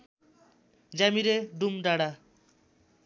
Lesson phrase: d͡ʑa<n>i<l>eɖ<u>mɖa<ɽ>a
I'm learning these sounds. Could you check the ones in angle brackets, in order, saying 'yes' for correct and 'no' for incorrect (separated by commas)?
no, no, yes, yes